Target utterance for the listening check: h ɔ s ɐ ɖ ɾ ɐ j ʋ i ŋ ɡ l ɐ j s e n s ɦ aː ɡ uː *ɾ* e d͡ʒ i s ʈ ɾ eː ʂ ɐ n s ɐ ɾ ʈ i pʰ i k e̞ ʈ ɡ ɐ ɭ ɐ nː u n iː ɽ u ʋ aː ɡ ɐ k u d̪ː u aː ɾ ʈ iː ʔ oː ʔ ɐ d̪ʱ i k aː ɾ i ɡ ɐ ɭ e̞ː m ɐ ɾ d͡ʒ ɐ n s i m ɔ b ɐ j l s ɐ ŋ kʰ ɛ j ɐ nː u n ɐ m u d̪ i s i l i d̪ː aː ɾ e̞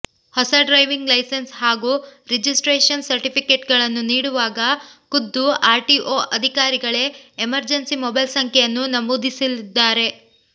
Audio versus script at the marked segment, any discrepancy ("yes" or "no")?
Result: no